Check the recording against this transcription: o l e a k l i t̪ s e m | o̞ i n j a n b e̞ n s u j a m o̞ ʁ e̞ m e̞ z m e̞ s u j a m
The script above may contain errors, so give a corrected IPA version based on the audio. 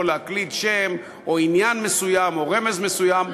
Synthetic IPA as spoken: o l e a k l i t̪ ʃ e m | o̞ i n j a n m e̞ s u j a m o̞ ʁ e̞ m e̞ z m e̞ s u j a m